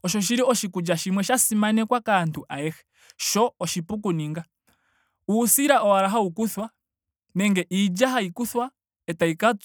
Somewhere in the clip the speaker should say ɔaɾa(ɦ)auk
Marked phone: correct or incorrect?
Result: correct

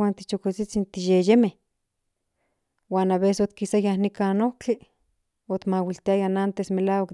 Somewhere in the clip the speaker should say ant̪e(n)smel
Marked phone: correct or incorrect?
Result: incorrect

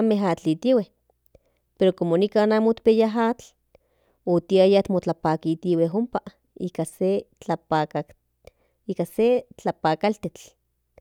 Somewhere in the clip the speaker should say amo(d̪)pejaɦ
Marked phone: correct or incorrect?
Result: incorrect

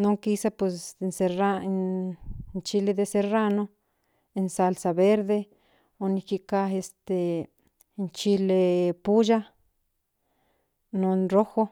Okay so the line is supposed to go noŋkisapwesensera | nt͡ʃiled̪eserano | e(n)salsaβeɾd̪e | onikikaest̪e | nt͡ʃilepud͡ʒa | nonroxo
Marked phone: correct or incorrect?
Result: correct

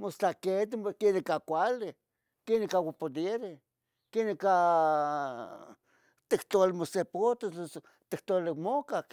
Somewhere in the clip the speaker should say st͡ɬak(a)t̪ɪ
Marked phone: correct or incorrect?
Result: incorrect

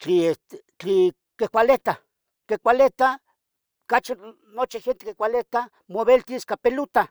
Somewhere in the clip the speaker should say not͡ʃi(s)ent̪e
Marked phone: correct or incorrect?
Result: incorrect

